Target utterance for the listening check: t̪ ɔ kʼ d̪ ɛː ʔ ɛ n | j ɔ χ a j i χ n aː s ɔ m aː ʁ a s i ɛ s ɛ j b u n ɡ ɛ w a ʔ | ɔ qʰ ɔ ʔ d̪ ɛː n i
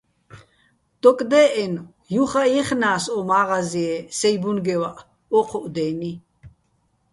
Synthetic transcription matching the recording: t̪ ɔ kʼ d̪ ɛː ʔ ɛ n | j u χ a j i χ n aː s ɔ m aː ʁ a z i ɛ s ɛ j b u n ɡ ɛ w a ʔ | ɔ qʰ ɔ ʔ d̪ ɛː n i

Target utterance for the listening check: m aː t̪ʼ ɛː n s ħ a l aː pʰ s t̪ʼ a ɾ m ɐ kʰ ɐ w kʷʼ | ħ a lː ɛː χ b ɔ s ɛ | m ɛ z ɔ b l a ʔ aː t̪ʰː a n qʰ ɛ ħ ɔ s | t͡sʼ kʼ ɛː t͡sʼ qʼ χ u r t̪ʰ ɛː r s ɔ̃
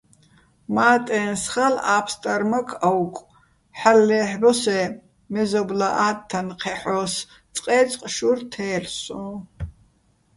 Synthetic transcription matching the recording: m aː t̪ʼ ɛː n s χ a l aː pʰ s t̪ʼ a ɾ m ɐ kʰ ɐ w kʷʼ | ħ a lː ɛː ħ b ɔ s ɛ | m ɛ z ɔ b l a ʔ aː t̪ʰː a n qʰ ɛ ħ ɔ s | t͡sʼ qʼ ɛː t͡sʼ qʼ ʃ u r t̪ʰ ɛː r s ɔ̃

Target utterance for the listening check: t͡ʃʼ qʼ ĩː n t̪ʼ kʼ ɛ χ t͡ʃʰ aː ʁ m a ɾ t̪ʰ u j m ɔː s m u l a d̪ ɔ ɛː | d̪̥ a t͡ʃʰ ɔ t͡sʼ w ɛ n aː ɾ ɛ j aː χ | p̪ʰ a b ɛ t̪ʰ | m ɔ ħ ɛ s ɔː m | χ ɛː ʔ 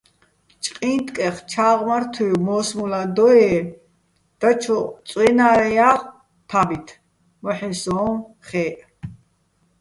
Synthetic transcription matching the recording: t͡ʃʼ qʼ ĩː n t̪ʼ kʼ ɛ χ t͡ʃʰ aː ʁ m a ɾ t̪ʰ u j m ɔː s m u l a d̪ ɔ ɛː | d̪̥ a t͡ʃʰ ɔ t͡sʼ w ɛ n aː ɾ ɛ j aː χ | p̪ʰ a b i t̪ʰ | m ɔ ħ ɛ s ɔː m | χ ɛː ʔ

